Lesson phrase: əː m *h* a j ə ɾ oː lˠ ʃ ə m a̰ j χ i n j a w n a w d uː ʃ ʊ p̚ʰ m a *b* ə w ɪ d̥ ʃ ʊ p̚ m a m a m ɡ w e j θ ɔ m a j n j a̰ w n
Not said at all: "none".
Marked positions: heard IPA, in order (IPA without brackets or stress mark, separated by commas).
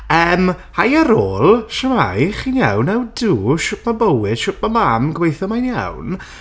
h, b